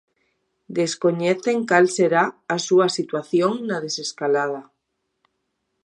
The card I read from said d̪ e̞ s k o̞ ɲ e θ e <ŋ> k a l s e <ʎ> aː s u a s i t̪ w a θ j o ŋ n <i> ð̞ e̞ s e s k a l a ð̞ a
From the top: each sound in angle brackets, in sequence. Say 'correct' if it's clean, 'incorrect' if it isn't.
correct, incorrect: ɾ, incorrect: a

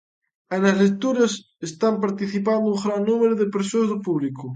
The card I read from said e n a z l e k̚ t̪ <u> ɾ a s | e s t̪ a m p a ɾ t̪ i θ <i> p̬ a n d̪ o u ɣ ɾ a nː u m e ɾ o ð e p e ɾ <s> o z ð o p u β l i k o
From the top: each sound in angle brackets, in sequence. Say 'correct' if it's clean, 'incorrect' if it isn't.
correct, correct, correct

